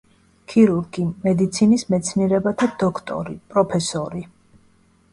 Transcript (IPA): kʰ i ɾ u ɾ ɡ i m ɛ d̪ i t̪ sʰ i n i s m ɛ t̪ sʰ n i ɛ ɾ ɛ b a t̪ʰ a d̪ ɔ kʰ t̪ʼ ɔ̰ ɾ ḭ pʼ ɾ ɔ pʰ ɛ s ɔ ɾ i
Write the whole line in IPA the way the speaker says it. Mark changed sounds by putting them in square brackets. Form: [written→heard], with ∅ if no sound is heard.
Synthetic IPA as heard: kʰ i ɾ u ɾ ɡ i m ɛ d̪ i t̪ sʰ i n i s m ɛ t̪ sʰ n i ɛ ɾ ɛ b a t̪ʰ a d̪ ɔ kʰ t̪ʼ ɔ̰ ɾ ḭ pʼ ɾ ɔ pʰ ɛ s ɔ ɾ i